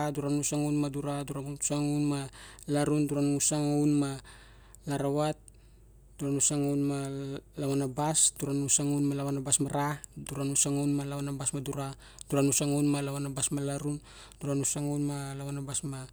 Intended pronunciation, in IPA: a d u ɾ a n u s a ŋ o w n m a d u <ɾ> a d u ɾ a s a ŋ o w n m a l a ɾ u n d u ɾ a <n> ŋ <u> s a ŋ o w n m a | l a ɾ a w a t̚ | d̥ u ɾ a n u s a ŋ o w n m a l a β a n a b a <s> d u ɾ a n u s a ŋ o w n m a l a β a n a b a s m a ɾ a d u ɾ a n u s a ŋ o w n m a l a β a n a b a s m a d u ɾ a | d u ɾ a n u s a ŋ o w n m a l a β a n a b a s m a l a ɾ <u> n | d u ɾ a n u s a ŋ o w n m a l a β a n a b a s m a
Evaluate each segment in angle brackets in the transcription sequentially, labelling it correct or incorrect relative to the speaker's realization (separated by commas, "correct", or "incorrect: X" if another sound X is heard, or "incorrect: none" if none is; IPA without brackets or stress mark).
correct, correct, correct, correct, correct